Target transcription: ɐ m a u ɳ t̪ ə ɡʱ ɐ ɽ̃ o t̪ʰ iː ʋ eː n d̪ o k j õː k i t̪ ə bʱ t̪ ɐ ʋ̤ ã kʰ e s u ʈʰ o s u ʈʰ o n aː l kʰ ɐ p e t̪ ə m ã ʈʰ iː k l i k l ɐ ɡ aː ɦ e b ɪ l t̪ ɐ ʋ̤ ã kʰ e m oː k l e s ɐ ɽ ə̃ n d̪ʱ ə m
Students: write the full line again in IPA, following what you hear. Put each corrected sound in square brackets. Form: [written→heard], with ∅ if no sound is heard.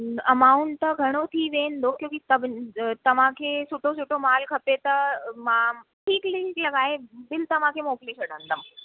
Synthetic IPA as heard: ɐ m a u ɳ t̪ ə ɡʱ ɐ ɽ̃ o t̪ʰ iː ʋ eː n d̪ o k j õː k i t̪ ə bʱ t̪ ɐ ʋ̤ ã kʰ e s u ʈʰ o s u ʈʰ o [n→m] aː l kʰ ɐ p e t̪ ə m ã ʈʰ iː k l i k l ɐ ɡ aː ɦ e b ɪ l t̪ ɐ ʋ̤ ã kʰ e m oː k l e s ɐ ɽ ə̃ n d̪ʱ ə m